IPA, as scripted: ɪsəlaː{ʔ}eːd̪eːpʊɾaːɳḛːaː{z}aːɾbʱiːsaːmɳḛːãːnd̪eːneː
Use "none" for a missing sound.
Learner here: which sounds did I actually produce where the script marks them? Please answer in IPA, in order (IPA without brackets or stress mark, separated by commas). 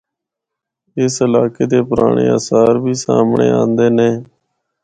k, s